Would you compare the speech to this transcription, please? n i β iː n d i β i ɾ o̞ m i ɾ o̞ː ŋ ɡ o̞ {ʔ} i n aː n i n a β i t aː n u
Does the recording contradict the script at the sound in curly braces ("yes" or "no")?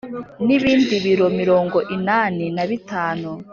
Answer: no